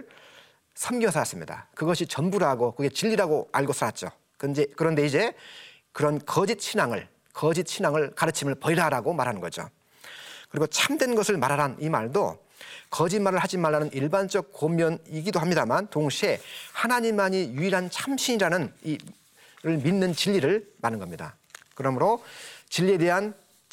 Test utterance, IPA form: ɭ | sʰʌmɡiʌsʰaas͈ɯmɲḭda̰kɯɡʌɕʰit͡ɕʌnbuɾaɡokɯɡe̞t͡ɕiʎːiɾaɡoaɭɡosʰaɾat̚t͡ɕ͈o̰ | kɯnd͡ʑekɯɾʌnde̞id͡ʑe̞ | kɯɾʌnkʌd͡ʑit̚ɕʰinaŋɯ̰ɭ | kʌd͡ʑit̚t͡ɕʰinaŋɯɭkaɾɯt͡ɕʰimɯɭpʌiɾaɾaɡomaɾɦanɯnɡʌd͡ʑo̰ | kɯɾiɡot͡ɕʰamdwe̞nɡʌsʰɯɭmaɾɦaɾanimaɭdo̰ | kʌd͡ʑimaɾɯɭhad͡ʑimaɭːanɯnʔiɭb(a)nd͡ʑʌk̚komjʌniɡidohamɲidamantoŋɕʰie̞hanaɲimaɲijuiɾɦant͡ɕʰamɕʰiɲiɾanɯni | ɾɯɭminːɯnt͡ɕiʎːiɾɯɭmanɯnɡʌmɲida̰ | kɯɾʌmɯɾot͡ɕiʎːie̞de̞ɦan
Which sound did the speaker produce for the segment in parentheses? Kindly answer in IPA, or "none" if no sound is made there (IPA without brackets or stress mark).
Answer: a